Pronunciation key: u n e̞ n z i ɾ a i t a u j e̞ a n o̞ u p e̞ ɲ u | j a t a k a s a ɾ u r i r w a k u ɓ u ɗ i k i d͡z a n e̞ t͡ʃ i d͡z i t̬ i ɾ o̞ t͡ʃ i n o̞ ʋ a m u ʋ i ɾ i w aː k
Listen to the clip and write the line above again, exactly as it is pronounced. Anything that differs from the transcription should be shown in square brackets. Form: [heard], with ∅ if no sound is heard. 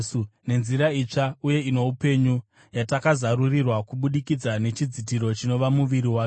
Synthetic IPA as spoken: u n e̞ n z i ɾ a i [t͡ʂ] a u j e̞ [i] n o̞ u p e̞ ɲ u | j a t a k a [z] a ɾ u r i r w a k u ɓ u ɗ i k i d͡z a n e̞ t͡ʃ i d͡z i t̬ i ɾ o̞ t͡ʃ i n o̞ ʋ a m u ʋ i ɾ i w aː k